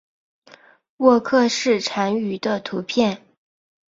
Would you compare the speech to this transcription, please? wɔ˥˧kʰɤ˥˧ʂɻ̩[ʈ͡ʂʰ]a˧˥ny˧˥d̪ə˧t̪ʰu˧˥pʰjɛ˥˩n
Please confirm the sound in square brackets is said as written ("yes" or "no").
yes